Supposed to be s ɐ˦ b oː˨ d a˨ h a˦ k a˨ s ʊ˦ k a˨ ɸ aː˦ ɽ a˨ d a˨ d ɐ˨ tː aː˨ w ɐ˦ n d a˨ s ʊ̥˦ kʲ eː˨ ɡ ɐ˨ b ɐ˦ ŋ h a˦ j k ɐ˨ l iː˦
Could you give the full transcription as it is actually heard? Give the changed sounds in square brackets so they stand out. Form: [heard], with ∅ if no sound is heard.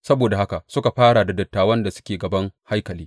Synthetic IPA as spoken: s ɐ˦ b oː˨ d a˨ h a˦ k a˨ s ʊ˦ k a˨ ɸ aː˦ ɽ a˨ d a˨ d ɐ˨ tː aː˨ w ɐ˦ n d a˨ s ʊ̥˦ kʲ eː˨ ɡ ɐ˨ b ɐ˦ ŋ h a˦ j k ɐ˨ l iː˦